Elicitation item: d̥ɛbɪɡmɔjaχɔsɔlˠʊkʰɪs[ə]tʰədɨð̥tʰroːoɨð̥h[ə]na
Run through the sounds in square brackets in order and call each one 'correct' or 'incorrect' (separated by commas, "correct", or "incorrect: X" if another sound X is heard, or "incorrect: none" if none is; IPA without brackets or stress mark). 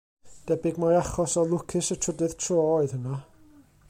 correct, correct